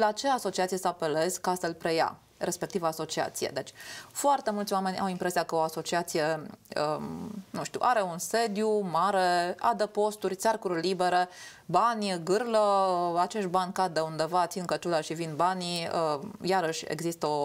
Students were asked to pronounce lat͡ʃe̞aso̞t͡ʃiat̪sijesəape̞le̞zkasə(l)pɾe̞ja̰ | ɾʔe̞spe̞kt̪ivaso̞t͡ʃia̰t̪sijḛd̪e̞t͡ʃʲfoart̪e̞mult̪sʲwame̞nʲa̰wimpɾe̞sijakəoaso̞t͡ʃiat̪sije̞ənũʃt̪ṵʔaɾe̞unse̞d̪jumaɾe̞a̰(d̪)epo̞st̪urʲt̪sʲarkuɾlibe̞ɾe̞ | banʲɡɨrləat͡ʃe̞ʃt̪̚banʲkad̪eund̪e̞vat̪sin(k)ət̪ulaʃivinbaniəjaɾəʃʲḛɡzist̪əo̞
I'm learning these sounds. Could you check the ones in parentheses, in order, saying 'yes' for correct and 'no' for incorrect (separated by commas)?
yes, yes, yes